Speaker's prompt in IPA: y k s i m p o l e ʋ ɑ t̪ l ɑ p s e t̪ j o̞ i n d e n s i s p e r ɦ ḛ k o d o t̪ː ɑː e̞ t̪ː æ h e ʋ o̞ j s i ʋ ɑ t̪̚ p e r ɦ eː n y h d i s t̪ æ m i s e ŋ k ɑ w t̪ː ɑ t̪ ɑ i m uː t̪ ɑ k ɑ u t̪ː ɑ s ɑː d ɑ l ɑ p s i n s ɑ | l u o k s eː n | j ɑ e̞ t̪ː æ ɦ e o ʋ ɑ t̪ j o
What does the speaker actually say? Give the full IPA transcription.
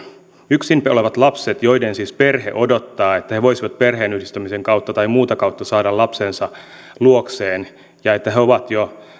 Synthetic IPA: y k s i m p o l e ʋ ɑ t̪ l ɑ p s e t̪ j o̞ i d e n s i s p e r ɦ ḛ ʔ o d o t̪ː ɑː e̞ t̪ː æ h e ʋ o̞ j s i ʋ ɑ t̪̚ p e r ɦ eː n y h d i s t̪ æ m i s e ŋ k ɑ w t̪ː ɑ t̪ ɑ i m uː t̪ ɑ k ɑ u t̪ː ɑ s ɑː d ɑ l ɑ p s e n s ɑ | l u o k s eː n | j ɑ e̞ t̪ː æ ɦ e o ʋ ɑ t̪ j o